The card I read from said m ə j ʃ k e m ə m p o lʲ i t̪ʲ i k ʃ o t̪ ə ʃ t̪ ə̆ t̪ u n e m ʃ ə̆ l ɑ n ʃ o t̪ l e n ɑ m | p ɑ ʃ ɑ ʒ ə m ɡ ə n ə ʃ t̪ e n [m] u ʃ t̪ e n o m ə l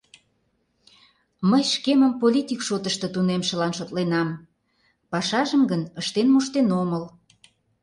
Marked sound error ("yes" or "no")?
no